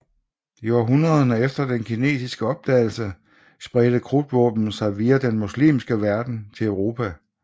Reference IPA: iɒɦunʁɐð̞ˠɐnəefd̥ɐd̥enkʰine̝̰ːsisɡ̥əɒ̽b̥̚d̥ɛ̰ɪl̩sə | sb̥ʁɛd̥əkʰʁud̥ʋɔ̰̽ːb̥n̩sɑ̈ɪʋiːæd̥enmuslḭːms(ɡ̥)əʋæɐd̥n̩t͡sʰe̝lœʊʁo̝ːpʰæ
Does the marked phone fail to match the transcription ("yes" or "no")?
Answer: no